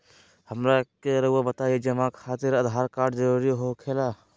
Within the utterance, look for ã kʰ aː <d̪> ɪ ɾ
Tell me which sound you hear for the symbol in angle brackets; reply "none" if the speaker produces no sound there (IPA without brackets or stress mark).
t̪